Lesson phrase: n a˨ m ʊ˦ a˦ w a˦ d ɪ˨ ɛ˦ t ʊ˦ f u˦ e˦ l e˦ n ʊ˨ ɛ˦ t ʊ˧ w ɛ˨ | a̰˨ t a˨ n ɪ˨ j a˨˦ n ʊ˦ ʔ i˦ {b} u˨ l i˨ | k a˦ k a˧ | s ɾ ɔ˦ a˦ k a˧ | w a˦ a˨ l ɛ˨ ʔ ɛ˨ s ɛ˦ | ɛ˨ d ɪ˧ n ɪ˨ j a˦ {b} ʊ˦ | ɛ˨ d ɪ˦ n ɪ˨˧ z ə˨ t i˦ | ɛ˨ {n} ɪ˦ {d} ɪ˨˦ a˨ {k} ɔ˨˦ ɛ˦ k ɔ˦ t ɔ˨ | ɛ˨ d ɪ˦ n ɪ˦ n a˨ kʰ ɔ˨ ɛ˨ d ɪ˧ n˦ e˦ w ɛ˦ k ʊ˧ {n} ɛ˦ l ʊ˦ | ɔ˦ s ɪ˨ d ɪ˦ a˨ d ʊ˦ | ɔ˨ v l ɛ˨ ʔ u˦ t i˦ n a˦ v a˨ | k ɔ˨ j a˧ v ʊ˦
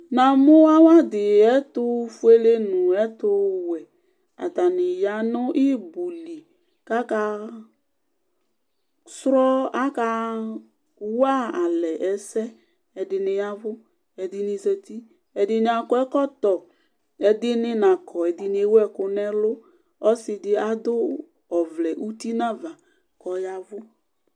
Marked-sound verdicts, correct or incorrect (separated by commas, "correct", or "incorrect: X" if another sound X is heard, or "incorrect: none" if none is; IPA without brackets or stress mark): correct, incorrect: v, incorrect: d, incorrect: n, correct, correct